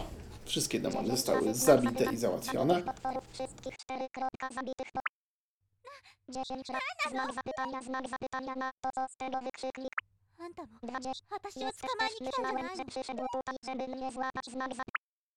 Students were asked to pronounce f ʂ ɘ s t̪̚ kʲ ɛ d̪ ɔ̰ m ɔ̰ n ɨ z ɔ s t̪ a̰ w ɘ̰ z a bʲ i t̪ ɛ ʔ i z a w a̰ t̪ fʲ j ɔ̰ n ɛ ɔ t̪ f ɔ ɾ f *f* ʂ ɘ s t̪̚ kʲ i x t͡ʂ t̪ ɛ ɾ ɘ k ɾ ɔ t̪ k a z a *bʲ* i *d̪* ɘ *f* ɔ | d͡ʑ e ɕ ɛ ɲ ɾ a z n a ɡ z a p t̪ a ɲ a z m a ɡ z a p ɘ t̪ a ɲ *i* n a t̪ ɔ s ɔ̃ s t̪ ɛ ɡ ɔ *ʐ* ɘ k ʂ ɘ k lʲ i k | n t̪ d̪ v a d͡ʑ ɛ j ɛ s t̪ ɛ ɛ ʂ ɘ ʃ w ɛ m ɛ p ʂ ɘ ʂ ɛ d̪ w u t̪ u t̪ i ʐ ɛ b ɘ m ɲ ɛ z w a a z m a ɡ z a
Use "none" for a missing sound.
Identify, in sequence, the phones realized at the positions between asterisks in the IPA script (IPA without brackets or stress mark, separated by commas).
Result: f, bʲ, t̪, x, a, v